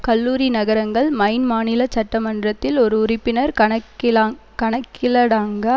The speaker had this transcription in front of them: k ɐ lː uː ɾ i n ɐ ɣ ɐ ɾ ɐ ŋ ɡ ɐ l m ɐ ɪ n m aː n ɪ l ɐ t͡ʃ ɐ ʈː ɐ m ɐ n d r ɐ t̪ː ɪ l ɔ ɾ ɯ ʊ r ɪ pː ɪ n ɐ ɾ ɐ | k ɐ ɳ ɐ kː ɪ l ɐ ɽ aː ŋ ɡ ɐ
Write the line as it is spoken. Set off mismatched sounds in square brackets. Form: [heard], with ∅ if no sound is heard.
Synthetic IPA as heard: k ɐ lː uː ɾ i n ɐ ɣ ɐ ɾ ɐ ŋ ɡ ɐ [ɭ] m ɐ ɪ n m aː n ɪ l ɐ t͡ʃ ɐ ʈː ɐ m ɐ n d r ɐ t̪ː ɪ l ɔ ɾ ɯ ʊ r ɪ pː ɪ n ɐ ɾ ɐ | k ɐ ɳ ɐ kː ɪ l ɐ ɽ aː ŋ ɡ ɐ

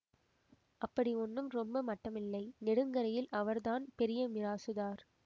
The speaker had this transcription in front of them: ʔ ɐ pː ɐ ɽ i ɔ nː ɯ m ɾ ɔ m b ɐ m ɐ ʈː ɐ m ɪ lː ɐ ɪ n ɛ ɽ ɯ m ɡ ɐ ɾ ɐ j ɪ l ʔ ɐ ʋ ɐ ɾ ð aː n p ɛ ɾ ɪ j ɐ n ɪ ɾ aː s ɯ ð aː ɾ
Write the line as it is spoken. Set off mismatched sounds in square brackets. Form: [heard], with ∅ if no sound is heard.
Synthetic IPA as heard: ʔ ɐ pː ɐ ɽ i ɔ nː ɯ m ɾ ɔ m b ɐ m ɐ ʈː ɐ m ɪ lː ɐ ɪ n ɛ ɽ ɯ [ŋ] ɡ ɐ ɾ ɐ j ɪ l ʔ ɐ ʋ ɐ ɾ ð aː n p ɛ ɾ ɪ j ɐ [m] ɪ ɾ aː s ɯ ð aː ɾ

